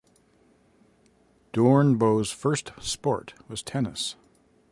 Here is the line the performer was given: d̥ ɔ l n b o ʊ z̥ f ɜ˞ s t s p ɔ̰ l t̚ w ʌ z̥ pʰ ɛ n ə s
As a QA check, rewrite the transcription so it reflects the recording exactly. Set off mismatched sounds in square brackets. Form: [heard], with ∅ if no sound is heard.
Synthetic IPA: d̥ ɔ [ɹ] n b o ʊ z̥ f ɜ˞ s t s p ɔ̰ [ɹ] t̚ w ʌ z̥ [tʰ] ɛ n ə s